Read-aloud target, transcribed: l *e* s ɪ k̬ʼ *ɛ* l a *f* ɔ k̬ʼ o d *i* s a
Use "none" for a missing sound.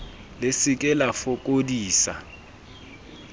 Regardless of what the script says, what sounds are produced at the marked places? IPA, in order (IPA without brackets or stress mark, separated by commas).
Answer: e, ɛ, f, iː